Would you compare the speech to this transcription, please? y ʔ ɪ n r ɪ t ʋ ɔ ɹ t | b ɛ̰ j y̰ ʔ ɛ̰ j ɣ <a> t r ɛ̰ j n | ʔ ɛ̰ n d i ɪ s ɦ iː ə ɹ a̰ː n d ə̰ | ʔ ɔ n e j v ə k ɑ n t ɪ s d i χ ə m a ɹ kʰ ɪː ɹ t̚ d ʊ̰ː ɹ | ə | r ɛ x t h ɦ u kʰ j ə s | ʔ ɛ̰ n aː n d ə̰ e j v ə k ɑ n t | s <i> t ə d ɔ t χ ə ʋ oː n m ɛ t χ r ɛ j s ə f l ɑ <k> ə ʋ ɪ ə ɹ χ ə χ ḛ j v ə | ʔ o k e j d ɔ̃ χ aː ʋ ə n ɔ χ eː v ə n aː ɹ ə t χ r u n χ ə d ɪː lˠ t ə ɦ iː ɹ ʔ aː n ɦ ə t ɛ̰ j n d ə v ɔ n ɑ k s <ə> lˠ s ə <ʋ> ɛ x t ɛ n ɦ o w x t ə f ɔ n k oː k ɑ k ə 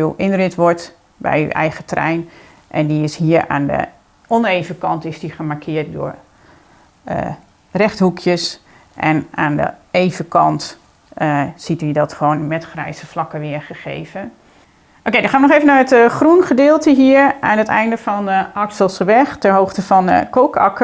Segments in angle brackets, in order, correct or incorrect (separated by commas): incorrect, correct, correct, correct, correct